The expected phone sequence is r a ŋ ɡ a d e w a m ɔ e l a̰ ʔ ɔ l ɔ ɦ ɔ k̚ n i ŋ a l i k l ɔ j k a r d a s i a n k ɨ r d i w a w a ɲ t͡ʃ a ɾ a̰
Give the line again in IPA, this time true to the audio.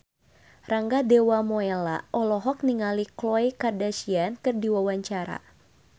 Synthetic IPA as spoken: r a ŋ ɡ a d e w a m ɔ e l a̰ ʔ ɔ l ɔ ɦ ɔ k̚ n i ŋ a l i k l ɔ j k a r d a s i a n k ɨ r d i w a w a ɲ t͡ʃ a ɾ a̰